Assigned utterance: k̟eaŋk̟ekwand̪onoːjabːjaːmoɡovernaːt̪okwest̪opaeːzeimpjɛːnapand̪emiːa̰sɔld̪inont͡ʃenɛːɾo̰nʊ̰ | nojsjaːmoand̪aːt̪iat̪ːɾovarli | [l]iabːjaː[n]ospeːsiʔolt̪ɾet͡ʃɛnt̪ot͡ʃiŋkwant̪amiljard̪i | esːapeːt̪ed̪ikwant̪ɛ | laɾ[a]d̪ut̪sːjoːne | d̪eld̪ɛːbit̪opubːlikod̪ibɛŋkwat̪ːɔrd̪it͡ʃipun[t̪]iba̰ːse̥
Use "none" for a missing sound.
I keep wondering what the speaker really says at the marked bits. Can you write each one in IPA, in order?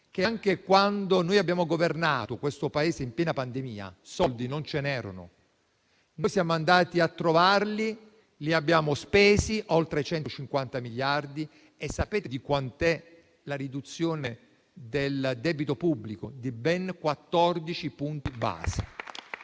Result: l, m, i, t̪

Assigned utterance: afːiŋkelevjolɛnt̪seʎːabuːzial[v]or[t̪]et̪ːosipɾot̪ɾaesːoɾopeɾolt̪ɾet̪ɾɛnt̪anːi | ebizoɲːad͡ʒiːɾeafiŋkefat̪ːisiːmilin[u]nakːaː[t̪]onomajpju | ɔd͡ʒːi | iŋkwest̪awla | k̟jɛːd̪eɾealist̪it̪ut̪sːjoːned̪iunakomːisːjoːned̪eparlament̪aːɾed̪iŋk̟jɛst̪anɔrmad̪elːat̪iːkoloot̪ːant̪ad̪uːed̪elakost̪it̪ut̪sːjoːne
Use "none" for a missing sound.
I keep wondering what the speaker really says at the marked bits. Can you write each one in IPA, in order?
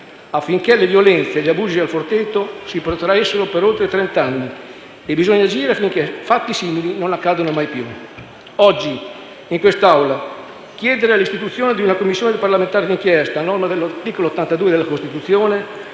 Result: f, t̪, o, d̪

